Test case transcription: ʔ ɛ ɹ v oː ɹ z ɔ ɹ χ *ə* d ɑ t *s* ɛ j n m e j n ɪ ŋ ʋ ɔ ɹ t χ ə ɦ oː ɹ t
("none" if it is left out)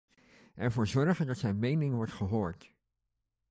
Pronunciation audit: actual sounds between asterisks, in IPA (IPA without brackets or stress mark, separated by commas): ə, s